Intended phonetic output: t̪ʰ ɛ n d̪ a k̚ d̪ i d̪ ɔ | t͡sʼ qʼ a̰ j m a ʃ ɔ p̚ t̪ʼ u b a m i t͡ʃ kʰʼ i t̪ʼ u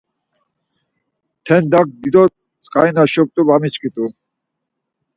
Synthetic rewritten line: t̪ʰ ɛ n d̪ a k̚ d̪ i d̪ ɔ | t͡sʼ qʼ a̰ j n a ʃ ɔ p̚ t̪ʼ u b a m i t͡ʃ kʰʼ i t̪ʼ u